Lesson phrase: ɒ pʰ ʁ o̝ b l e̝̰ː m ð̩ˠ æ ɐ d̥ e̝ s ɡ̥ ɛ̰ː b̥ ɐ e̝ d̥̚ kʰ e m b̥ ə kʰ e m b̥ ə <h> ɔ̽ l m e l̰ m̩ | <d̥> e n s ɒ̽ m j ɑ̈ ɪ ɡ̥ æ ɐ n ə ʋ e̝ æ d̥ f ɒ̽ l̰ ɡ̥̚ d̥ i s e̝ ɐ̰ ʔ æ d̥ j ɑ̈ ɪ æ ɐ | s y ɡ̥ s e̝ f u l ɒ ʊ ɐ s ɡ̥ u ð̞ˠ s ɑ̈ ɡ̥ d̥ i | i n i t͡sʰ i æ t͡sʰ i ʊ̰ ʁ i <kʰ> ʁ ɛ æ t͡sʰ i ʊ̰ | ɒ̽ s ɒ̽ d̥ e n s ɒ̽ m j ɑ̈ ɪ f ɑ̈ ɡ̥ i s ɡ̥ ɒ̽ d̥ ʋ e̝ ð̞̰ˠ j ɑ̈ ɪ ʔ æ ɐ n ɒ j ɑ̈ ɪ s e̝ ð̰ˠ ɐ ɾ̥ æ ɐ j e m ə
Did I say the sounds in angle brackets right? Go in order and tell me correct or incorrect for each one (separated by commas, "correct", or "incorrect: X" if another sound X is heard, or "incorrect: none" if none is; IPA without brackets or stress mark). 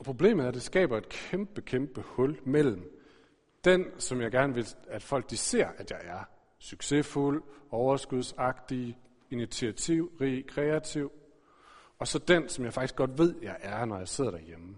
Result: correct, correct, correct